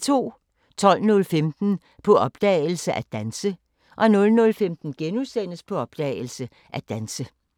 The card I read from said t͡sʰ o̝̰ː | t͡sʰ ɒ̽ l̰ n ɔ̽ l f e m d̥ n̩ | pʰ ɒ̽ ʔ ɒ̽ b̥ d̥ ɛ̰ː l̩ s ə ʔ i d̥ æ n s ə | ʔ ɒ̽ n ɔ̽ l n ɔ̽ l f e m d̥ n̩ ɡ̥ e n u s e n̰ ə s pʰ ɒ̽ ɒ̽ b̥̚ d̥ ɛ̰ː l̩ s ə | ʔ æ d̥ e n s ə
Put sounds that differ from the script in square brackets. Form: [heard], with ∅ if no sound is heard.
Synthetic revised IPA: t͡sʰ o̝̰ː | t͡sʰ ɒ̽ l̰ n ɔ̽ l f e m d̥ n̩ | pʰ ɒ̽ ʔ ɒ̽ b̥ d̥ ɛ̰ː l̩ s ə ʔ [æ] d̥ æ n s ə | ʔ ɒ̽ n ɔ̽ l n ɔ̽ l f e m d̥ n̩ ɡ̥ e n u s e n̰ ə s pʰ ɒ̽ ɒ̽ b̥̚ d̥ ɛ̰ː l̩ s ə | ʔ æ d̥ [æ] n s ə

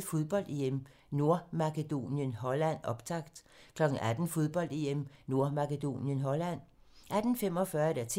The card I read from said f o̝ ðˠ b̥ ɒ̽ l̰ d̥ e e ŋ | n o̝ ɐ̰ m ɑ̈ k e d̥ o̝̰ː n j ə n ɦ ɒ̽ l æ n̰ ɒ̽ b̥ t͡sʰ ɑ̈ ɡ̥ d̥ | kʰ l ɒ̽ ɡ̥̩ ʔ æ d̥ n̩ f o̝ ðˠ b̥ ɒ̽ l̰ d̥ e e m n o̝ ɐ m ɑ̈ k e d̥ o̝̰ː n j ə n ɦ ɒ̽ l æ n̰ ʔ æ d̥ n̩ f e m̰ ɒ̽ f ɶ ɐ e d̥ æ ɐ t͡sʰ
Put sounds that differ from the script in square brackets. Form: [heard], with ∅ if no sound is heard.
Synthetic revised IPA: f o̝ ðˠ b̥ ɒ̽ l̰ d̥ e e [m] | n o̝ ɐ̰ m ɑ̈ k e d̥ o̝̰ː n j ə n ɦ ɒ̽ l æ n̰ ɒ̽ b̥ t͡sʰ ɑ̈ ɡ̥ d̥ | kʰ l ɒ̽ ɡ̥̩ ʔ æ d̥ n̩ f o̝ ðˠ b̥ ɒ̽ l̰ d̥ e e m n o̝ ɐ m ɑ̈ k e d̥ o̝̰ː n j ə n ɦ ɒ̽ l æ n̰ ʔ æ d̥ n̩ f e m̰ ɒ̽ f ɶ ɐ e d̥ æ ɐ t͡sʰ

